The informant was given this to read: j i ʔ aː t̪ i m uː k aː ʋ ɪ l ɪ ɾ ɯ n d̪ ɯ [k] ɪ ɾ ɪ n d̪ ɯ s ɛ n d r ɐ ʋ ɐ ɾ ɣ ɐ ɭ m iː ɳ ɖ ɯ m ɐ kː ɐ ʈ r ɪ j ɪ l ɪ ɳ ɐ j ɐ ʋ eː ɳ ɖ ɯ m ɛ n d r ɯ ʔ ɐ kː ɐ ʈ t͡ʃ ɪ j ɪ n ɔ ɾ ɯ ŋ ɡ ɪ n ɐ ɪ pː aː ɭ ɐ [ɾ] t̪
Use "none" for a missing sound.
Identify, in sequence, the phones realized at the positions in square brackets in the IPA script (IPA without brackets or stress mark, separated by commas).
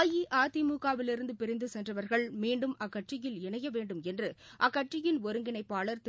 p, ɾ